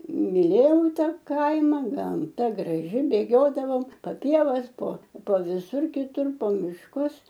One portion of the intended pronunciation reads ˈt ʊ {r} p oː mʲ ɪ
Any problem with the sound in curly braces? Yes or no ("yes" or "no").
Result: no